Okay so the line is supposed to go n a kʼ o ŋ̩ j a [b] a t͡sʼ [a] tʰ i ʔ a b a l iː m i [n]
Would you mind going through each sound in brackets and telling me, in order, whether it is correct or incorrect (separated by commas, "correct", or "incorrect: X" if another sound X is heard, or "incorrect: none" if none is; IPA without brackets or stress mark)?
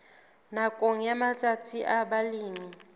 incorrect: m, correct, incorrect: none